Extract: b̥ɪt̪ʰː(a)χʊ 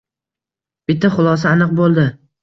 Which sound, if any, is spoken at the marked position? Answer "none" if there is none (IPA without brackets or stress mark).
a